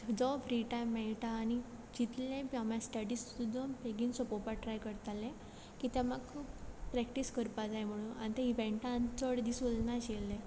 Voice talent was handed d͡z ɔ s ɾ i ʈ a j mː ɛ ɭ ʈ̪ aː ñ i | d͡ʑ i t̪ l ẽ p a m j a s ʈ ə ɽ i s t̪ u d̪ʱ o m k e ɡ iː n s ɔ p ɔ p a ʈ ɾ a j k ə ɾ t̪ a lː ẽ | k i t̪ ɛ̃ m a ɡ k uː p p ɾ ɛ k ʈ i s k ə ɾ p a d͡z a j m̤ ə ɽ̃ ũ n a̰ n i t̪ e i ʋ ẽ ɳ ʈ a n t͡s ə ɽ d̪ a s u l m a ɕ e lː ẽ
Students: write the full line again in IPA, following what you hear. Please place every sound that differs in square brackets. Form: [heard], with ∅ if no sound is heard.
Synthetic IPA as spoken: d͡z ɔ [f] ɾ i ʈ a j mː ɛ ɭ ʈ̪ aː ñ i | d͡ʑ i t̪ l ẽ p a m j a s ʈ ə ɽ i s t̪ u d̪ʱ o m [p] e ɡ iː n s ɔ p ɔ p a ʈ ɾ a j k ə ɾ t̪ a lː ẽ | k i t̪ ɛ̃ m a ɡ [kʰ] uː p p ɾ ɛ k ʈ i s k ə ɾ p a d͡z a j m̤ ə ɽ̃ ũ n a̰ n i t̪ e i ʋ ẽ ɳ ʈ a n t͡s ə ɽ d̪ [i] s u l [n] a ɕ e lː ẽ